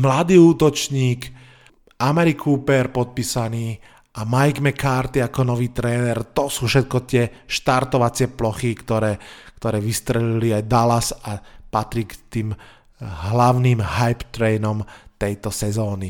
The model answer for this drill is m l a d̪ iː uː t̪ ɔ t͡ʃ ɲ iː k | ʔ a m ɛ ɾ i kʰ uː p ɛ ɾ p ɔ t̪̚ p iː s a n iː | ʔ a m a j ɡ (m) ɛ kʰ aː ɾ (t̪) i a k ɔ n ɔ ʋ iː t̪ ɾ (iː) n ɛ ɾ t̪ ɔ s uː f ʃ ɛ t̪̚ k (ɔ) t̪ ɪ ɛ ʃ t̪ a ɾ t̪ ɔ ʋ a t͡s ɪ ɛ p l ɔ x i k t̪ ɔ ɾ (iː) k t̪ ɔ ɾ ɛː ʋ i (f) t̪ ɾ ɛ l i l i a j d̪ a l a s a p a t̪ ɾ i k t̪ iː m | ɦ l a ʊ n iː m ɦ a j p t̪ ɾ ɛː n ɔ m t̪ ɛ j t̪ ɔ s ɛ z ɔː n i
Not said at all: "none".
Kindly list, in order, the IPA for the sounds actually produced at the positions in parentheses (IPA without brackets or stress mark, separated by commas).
m, t̪, ɛː, ɔ, ɛː, s